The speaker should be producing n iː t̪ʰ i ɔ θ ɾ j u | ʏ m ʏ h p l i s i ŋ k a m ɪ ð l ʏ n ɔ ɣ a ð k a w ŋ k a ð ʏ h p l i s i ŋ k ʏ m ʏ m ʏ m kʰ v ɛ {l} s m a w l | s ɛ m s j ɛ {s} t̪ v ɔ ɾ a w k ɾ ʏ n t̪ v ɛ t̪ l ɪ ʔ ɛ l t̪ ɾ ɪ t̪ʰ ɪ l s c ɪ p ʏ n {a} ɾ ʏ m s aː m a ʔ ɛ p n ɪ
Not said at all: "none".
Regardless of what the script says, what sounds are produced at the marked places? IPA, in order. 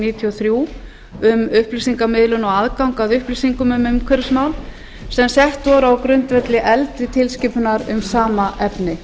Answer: ɾ, h, a

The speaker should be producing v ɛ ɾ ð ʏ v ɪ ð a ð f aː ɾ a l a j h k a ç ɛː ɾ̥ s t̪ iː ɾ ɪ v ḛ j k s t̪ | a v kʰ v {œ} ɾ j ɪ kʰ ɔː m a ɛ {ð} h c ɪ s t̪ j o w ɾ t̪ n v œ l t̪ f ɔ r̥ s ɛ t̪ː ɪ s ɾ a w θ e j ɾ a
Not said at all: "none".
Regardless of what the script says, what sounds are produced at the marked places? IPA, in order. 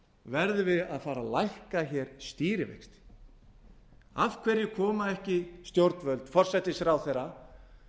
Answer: ɛ, none

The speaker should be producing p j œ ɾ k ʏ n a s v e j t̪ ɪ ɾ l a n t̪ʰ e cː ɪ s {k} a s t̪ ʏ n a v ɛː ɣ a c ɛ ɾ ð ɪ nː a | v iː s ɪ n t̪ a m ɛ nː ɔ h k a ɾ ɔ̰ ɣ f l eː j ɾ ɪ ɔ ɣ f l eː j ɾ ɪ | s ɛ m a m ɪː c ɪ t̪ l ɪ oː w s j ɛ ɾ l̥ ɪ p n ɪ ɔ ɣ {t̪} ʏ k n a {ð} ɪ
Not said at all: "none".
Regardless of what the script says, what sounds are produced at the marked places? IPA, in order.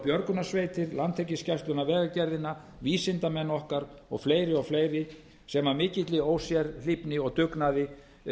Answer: c, t̪, ð

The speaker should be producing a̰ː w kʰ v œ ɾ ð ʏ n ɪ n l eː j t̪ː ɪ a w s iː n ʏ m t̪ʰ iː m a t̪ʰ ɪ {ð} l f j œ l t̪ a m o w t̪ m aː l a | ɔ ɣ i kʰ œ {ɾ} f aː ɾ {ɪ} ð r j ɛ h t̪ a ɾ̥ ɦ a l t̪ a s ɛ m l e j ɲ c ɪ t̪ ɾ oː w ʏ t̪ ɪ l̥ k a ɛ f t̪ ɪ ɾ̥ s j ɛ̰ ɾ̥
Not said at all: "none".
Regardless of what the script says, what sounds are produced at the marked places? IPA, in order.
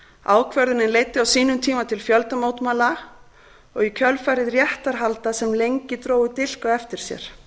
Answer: none, l, ɪ

